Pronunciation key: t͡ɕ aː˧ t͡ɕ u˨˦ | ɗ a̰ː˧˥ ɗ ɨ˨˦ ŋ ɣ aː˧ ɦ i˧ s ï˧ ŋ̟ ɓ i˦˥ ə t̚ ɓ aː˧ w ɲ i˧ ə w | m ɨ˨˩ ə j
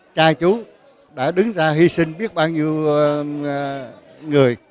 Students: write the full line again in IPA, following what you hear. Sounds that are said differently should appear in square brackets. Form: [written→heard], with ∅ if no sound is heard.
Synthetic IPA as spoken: t͡ɕ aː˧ t͡ɕ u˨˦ | ɗ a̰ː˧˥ ɗ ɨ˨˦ ŋ [ɣ→z] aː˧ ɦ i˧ s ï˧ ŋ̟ ɓ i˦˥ ə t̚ ɓ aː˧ w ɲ i˧ ə w | [m→ŋ] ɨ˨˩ ə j